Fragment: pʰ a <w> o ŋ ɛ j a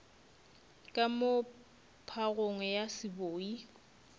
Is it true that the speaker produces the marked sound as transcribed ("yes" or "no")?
no